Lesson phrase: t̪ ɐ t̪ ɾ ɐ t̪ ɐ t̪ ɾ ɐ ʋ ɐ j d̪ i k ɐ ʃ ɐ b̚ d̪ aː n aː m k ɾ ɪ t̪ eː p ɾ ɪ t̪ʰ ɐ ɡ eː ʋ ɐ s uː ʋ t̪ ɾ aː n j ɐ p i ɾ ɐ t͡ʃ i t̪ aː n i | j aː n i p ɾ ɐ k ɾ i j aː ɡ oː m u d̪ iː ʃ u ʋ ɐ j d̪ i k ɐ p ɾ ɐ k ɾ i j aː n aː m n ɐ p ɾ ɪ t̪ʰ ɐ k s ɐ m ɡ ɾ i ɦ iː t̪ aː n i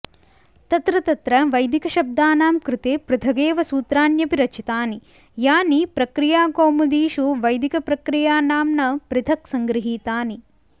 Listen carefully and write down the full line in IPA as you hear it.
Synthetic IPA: t̪ ɐ t̪ ɾ ɐ t̪ ɐ t̪ ɾ ɐ ʋ ɐ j d̪ i k ɐ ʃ ɐ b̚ d̪ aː n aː m k ɾ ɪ t̪ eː p ɾ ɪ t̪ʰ ɐ ɡ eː ʋ ɐ s uː t̪ ɾ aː n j ɐ p i ɾ ɐ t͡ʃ i t̪ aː n i | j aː n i p ɾ ɐ k ɾ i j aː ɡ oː m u d̪ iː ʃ u ʋ ɐ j d̪ i k ɐ p ɾ ɐ k ɾ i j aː n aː m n ɐ p ɾ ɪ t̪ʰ ɐ k s ɐ ŋ ɡ ɾ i ɦ iː t̪ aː n i